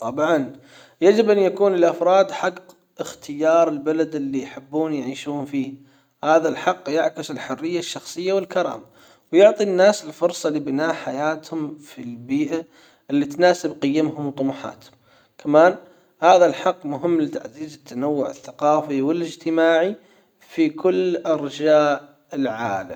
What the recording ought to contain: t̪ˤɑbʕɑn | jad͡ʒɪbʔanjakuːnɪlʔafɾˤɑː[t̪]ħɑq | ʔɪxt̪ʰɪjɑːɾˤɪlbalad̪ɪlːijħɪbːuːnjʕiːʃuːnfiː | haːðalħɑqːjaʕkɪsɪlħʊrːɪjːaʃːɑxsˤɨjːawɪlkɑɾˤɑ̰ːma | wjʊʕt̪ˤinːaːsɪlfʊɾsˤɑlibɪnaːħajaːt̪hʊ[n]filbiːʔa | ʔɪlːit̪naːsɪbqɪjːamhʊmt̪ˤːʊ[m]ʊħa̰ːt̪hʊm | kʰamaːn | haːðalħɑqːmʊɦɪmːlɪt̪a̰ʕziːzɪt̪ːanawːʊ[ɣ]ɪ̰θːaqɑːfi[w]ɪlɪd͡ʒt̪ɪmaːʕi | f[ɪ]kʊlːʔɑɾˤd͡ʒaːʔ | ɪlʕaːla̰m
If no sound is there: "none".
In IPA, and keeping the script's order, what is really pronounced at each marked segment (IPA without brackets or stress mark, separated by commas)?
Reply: d̪, m, m, ʕ, w, i